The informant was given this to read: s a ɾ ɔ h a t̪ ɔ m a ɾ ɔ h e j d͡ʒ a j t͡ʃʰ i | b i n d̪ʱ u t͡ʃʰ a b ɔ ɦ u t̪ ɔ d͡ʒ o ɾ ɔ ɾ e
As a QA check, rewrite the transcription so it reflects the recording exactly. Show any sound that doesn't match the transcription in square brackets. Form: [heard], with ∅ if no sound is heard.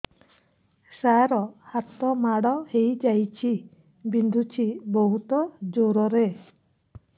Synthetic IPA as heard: s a ɾ ɔ h a t̪ ɔ m a [ɽ] ɔ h e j d͡ʒ a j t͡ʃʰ i | b i n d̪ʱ u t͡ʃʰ [i] b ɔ ɦ u t̪ ɔ d͡ʒ o ɾ ɔ ɾ e